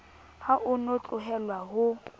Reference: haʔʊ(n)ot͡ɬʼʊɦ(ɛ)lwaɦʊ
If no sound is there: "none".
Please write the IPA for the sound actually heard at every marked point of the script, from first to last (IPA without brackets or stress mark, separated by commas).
n, ɛ